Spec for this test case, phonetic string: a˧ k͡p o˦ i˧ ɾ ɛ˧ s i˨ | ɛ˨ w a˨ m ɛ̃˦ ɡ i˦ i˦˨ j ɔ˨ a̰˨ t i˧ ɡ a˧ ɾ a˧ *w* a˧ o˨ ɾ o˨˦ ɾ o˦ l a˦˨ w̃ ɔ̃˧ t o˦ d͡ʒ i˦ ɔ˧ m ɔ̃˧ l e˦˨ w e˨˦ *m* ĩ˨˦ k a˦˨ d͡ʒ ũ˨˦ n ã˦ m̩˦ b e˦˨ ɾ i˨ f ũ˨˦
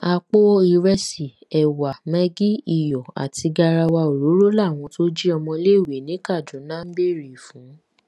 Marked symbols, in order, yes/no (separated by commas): yes, no